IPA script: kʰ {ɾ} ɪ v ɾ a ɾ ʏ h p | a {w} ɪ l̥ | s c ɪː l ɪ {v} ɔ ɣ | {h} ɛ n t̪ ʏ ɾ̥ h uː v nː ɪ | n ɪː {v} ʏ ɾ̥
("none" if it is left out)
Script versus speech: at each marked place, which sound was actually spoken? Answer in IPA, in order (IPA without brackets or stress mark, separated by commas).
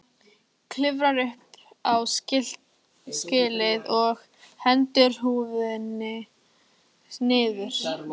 l, w, ð, h, ð